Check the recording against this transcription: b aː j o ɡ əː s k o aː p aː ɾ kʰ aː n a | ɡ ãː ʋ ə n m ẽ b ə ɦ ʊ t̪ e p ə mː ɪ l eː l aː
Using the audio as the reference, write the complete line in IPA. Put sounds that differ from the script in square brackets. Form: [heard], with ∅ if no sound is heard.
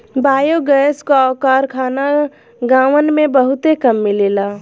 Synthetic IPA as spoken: b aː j o ɡ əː s k o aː [k] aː ɾ kʰ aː n a | ɡ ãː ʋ ə n m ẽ b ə ɦ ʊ t̪ e [k] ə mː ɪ l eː l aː

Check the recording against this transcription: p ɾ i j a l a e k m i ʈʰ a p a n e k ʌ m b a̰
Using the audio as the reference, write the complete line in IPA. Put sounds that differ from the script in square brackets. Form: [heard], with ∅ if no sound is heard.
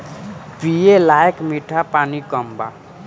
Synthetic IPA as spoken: p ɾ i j [e] l a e k m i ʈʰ a p a n [i] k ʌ m b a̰

